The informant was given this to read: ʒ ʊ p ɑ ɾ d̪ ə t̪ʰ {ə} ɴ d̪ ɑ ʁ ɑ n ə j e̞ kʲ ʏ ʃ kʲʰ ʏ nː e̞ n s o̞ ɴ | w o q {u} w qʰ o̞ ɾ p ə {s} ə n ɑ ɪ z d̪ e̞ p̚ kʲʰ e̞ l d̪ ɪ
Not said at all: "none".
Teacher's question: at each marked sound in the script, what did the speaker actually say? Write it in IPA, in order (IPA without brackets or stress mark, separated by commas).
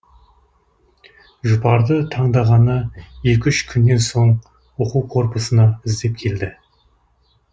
ɑ, u, s